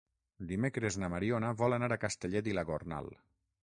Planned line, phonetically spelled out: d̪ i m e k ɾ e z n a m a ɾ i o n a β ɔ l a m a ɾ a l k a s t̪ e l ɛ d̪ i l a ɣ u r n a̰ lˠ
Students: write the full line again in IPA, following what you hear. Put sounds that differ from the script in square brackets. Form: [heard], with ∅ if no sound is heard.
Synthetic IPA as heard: d̪ i m e k ɾ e z n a m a ɾ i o n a β ɔ l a [n] a ɾ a [∅] k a s t̪ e [ʎ] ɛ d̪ i l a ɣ [o] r n a̰ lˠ